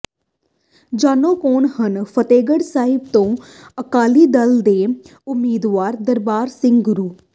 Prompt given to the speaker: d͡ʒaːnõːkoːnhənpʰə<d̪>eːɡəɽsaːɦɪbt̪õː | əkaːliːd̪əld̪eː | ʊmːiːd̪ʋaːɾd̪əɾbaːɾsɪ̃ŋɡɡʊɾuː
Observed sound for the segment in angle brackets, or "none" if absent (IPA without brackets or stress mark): t̪